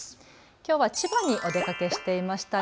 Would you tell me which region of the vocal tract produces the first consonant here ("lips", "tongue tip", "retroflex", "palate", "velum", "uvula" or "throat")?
velum